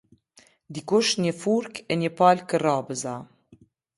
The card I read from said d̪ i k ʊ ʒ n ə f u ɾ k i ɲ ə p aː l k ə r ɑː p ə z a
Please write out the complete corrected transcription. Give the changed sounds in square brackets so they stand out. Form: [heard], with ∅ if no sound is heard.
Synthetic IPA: d̪ i k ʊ [ʃ] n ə f u ɾ k [ɛ] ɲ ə p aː l k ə r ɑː [b] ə z a